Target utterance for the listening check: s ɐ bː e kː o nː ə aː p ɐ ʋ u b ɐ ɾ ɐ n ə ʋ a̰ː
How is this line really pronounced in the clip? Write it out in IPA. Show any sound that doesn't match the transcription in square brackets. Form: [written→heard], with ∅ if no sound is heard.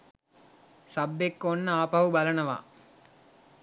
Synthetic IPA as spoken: s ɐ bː e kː o nː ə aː p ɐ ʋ u b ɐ [ɾ→l] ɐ n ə ʋ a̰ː